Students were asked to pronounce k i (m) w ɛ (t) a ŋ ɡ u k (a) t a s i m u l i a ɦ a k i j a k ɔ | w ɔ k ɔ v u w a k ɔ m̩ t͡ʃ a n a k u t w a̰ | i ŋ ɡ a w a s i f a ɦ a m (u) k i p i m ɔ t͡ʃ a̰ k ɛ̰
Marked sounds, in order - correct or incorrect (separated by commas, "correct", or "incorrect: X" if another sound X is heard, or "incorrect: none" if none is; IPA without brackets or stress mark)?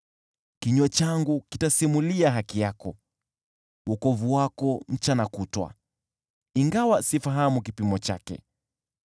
incorrect: ɲ, incorrect: t͡ʃ, incorrect: i, correct